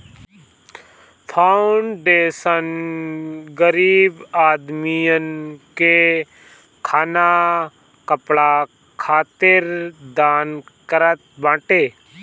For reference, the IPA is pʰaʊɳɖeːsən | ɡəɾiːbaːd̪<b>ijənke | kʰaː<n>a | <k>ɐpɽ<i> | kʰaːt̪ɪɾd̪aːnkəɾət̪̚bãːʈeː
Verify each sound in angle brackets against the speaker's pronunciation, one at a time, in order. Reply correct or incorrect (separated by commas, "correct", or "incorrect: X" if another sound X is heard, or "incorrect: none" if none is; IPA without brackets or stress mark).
incorrect: m, correct, correct, incorrect: a